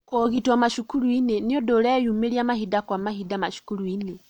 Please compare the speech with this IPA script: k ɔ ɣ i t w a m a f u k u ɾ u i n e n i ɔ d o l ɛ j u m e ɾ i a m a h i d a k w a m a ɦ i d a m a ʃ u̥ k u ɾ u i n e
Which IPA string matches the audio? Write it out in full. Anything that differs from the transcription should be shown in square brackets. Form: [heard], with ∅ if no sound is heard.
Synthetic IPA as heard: k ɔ ɣ i t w a m a [ʃ] u k u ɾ u i n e n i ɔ d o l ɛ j u m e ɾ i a m a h i d a k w a m a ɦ i d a m a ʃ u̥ k u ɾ u i n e

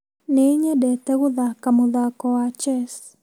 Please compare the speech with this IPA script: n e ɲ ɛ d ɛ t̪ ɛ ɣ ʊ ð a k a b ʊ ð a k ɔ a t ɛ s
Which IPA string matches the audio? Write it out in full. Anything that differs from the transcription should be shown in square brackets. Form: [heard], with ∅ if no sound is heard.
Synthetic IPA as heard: n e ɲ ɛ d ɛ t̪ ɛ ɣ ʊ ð a k a [m] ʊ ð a k ɔ a [t͡ʃ] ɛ s

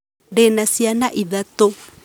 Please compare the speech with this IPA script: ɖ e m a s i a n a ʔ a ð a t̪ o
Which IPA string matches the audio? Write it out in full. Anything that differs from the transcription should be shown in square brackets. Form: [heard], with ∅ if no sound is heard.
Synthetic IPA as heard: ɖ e [n] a s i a n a ʔ [i] ð a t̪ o

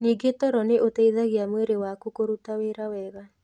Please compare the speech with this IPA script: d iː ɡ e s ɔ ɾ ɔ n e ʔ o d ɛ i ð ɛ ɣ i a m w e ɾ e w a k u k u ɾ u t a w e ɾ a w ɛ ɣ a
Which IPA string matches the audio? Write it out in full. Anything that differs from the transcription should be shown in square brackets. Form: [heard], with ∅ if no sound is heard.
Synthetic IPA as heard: [n] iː ɡ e [t] ɔ ɾ ɔ n e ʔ o [t] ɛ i ð [a] ɣ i a m w e ɾ e w a k u k [o] ɾ u t a w e ɾ a w ɛ ɣ a

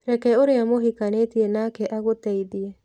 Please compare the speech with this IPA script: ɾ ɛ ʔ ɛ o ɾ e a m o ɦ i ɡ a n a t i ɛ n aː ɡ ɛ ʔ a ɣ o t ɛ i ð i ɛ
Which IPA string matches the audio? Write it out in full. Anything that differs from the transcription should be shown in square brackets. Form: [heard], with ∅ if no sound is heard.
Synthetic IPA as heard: ɾ ɛ [k] ɛ o ɾ e a m o ɦ i [k] a n [e] t i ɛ n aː [k] ɛ ʔ a ɣ o t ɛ i ð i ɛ

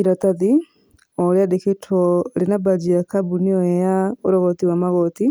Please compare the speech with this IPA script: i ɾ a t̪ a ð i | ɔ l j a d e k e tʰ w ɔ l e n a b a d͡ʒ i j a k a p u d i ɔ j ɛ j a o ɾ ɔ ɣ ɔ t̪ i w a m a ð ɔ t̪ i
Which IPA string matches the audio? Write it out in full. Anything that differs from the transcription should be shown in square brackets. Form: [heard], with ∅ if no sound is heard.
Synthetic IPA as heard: i ɾ a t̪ a ð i | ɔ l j a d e k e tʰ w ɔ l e n a b a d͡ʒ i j a k a [b] u [n] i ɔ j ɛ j a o ɾ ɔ ɣ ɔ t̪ i w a m a [ɣ] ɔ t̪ i

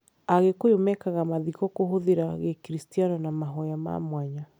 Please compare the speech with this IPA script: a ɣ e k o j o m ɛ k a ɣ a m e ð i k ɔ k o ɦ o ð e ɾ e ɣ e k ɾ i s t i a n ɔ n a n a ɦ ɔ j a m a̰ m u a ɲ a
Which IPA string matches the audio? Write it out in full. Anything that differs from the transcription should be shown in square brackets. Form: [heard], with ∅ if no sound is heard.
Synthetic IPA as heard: a ɣ e k o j o m ɛ k a ɣ a m [a] ð i k ɔ k o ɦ o ð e ɾ [a] ɣ e k ɾ i s t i a n ɔ n a [m] a ɦ ɔ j a m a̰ m [w] a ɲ a

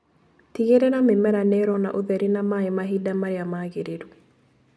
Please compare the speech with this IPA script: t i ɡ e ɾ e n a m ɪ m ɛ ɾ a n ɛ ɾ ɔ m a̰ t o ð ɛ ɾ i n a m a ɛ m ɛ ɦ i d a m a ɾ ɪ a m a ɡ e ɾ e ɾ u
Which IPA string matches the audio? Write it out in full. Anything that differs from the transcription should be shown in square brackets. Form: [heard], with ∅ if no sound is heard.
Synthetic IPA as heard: t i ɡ e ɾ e n a m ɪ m ɛ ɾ a n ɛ ɾ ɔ [n] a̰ [ʔ] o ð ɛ ɾ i n a m a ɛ m [a] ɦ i d a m a ɾ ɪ a m a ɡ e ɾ e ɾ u

